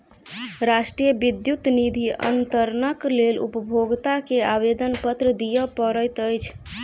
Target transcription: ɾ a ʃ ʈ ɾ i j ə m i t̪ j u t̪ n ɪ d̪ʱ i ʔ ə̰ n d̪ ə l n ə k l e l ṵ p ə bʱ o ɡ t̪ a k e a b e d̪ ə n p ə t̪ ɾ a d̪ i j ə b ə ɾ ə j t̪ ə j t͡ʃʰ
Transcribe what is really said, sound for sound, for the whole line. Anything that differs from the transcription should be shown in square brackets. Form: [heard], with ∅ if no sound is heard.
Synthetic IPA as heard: ɾ a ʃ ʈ ɾ i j ə [b] i [d̪] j u t̪ n [i] d̪ʱ i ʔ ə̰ n [t̪] ə [ɾ] n ə k l e l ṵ p ə bʱ o ɡ t̪ a k e a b e d̪ ə n p ə t̪ ɾ [ə] d̪ i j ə [p] ə ɾ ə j t̪ ə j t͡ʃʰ